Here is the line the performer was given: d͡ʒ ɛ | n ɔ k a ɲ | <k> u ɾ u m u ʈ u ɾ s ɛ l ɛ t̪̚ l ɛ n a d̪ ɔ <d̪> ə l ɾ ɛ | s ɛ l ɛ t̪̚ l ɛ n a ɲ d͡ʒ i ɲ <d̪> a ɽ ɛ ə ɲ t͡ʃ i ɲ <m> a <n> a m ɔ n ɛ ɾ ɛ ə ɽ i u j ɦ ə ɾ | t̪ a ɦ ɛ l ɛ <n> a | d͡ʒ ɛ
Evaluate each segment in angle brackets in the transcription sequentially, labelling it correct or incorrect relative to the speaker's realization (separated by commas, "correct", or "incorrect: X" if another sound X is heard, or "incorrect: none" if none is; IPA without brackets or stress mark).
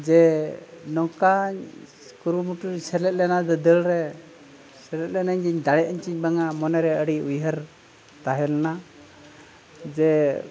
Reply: correct, correct, correct, incorrect: b, incorrect: ŋ, correct